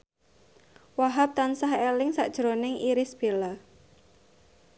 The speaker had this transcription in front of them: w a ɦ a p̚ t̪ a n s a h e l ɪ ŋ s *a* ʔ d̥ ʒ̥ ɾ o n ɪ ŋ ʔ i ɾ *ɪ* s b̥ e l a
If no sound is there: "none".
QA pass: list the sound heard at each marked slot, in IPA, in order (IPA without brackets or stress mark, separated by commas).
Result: a, ɪ